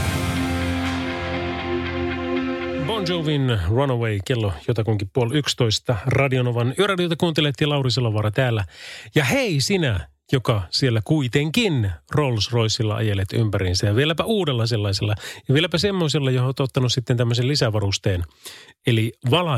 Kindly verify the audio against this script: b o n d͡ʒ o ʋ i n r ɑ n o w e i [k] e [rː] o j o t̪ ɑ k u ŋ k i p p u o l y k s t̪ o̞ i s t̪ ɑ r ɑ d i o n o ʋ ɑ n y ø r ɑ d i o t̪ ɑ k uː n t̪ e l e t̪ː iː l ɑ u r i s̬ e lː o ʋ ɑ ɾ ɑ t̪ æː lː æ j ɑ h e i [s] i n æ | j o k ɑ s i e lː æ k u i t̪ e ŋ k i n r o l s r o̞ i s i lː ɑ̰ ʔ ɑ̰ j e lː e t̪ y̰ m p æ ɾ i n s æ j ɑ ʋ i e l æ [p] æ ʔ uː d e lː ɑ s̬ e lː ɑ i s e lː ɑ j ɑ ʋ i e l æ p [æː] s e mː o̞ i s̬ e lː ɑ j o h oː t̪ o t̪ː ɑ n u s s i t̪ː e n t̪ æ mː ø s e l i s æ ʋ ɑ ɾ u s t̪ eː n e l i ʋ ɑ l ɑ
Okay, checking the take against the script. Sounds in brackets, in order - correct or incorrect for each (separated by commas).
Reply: correct, incorrect, correct, correct, incorrect